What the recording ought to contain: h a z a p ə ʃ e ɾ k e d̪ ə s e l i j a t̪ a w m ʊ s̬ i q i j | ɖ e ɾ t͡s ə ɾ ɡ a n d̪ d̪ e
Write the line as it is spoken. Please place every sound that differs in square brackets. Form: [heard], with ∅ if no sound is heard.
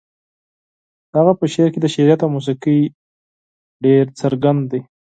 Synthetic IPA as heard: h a [ɣ] a p ə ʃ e ɾ k e d̪ ə [ʃ] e [ɾ] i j a t̪ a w m [u] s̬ i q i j | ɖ e ɾ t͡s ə ɾ ɡ a n d̪ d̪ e

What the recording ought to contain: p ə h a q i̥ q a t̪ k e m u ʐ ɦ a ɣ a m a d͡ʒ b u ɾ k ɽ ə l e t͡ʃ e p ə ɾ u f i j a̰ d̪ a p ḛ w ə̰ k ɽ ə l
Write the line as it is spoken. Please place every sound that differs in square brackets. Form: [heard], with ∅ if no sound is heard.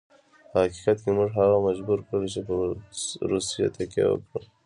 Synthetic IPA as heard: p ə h a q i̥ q a t̪ k e m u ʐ ɦ a ɣ a m a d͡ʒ b u ɾ k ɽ ə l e t͡ʃ e p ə ɾ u [s] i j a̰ [t̪] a [k] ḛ w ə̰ k ɽ ə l

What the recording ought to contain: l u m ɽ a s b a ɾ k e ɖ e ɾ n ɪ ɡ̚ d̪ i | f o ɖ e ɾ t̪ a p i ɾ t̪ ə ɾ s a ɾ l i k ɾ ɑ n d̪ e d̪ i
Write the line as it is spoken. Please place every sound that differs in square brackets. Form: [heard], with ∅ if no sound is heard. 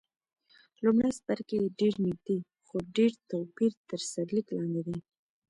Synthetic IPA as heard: l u m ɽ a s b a ɾ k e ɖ e ɾ n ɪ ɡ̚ d̪ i | [x] o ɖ e ɾ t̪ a p i ɾ t̪ ə ɾ s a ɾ l i k [l] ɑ n d̪ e d̪ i

